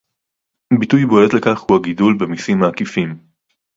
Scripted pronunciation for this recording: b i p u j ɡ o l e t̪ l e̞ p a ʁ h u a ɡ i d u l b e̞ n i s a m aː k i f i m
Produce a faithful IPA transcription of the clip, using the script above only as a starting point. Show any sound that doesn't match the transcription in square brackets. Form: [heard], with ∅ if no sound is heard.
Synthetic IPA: b i [t] u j [b] o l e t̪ l e̞ [k] a [χ] h u a ɡ i d u l b e̞ [m] i s [i] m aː k i f i m